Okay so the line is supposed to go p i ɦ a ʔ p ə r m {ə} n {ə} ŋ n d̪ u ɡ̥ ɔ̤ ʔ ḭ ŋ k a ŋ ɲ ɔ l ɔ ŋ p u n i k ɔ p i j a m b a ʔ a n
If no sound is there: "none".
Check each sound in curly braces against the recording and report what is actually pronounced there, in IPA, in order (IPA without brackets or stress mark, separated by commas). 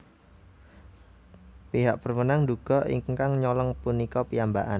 ə, a